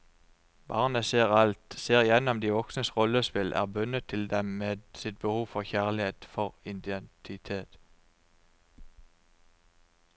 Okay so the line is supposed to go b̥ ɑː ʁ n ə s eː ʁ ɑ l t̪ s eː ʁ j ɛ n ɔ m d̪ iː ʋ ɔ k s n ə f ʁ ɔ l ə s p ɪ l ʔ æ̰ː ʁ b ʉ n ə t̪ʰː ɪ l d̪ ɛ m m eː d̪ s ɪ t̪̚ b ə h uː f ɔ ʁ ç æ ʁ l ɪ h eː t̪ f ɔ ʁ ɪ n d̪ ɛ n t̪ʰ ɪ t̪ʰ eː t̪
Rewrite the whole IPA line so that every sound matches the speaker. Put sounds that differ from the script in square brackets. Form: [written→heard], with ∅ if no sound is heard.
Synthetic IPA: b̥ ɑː ʁ n ə s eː ʁ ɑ l t̪ s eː ʁ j ɛ n ɔ m d̪ iː ʋ ɔ k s n ə [f→s] ʁ ɔ l ə s p ɪ l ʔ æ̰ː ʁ b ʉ n ə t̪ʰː ɪ l d̪ ɛ m m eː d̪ s ɪ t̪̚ b ə h uː f ɔ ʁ ç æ ʁ l ɪ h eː t̪ f ɔ ʁ ɪ n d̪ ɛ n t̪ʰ ɪ t̪ʰ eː t̪